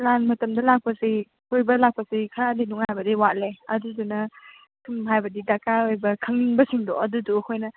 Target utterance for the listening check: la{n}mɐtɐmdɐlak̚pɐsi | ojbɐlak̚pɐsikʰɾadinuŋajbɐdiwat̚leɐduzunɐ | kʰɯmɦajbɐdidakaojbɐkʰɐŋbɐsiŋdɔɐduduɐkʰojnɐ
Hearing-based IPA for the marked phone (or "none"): n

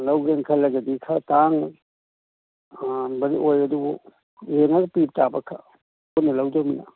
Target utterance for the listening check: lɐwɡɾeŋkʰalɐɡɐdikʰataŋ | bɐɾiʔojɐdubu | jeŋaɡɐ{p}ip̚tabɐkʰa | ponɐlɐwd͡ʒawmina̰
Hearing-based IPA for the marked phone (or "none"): p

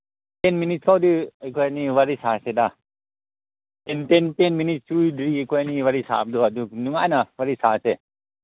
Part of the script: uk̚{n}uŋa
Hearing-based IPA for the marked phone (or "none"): n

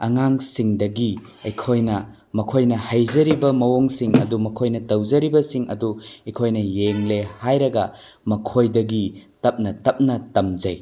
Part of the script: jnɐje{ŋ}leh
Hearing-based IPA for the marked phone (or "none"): ŋ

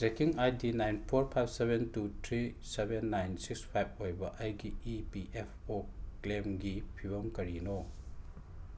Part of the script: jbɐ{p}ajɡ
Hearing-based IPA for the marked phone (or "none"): ʔ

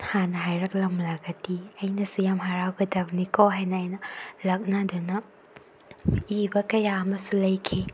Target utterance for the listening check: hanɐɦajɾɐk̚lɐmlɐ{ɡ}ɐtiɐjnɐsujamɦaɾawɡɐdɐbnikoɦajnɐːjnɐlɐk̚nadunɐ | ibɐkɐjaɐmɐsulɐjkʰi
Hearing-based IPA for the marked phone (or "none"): ɡ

